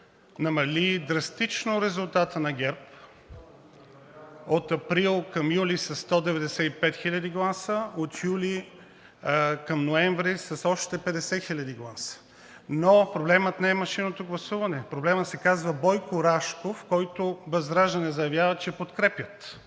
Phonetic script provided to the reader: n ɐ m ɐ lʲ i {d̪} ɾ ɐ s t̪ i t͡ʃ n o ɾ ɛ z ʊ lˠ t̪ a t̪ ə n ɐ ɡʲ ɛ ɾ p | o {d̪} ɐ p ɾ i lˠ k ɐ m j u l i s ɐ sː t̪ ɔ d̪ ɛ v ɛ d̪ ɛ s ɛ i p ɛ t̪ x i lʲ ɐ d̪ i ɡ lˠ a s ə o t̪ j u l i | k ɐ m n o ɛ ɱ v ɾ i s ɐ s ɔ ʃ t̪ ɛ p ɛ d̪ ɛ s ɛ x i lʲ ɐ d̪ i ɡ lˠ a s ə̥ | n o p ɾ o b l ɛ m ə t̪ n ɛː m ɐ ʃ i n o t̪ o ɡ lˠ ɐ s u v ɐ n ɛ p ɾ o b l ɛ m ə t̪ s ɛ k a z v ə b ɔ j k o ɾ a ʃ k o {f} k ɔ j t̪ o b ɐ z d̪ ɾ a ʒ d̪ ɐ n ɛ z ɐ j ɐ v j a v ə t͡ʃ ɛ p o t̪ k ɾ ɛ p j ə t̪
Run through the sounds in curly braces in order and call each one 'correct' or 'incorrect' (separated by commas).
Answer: correct, incorrect, correct